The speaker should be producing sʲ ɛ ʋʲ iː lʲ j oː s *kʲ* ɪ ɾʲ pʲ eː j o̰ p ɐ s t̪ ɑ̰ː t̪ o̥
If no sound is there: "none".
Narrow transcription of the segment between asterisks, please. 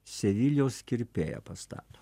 kʲ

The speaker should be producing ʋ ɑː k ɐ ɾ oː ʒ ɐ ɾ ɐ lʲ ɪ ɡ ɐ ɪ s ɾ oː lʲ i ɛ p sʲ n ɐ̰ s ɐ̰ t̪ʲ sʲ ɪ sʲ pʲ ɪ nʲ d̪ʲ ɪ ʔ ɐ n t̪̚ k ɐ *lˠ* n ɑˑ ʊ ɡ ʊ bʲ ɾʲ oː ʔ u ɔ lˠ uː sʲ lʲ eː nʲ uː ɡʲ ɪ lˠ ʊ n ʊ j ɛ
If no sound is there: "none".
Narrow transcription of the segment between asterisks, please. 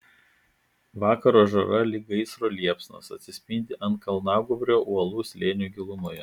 lˠ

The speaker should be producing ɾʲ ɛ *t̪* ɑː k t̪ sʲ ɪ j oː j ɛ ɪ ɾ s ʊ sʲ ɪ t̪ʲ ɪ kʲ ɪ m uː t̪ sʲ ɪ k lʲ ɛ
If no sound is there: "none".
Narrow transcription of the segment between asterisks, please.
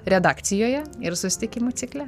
d̪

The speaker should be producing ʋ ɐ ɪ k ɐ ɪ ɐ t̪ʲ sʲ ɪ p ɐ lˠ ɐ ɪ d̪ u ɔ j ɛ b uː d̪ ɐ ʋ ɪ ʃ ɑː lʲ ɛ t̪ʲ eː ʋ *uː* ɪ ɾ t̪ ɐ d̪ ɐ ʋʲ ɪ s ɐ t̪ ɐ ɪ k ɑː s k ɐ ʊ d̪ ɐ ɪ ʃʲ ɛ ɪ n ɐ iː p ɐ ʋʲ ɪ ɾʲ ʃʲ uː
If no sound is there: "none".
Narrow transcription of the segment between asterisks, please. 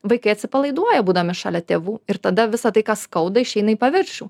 uː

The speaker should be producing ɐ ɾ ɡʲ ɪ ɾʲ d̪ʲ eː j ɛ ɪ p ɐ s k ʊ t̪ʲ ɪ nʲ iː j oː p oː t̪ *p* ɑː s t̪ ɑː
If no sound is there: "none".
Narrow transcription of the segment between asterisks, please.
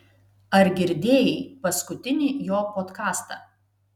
k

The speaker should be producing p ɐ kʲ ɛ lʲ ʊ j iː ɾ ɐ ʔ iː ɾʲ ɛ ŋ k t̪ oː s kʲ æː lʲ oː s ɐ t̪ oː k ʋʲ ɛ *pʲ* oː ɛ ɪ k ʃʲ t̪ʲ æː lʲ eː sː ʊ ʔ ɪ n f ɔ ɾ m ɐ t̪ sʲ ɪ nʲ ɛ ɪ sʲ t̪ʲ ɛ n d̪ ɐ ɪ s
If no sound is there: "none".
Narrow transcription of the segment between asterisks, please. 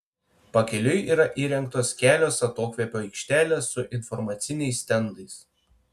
pʲ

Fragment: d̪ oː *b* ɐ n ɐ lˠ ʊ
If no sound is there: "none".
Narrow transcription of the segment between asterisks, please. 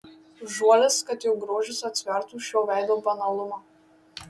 b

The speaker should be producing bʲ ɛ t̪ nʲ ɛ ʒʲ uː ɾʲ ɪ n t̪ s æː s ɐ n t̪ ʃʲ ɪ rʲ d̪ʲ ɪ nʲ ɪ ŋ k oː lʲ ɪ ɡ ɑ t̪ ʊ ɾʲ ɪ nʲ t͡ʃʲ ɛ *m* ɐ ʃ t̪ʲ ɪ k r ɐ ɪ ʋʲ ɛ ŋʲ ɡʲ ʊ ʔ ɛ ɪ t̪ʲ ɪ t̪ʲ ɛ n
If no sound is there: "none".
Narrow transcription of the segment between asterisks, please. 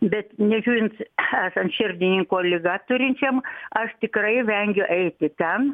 m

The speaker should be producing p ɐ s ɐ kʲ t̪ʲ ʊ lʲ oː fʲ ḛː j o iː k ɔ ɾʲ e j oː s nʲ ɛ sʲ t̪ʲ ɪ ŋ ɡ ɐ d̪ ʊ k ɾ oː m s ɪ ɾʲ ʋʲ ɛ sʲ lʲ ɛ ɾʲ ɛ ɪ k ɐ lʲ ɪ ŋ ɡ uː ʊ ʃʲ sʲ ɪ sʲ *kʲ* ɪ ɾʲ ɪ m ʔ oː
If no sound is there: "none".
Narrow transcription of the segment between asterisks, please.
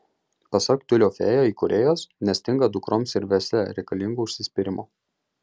pʲ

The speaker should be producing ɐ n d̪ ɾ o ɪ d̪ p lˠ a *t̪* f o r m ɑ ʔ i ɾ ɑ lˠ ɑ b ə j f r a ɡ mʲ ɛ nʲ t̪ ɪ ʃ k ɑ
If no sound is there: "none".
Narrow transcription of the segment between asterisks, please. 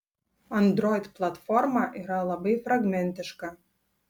t̪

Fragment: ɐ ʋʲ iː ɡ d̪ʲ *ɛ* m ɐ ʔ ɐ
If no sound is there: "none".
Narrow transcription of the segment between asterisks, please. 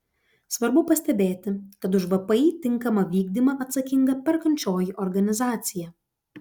i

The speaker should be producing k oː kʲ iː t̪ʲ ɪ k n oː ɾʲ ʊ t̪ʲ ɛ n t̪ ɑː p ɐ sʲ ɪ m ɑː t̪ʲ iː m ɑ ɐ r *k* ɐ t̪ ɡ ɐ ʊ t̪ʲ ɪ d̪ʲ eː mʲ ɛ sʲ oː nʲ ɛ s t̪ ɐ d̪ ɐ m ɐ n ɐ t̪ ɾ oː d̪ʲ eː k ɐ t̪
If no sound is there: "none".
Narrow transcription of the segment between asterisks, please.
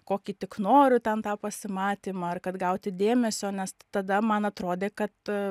k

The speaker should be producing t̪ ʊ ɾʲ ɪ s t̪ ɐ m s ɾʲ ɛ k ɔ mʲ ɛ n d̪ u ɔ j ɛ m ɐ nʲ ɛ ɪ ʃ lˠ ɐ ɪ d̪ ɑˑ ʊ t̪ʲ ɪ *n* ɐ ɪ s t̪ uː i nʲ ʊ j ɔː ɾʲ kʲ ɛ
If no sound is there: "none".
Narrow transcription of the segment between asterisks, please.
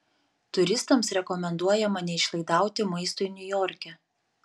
m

